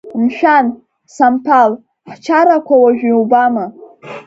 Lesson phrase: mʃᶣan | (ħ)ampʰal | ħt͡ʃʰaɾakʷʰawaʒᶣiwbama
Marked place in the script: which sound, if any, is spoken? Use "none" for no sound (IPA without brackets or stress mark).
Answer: s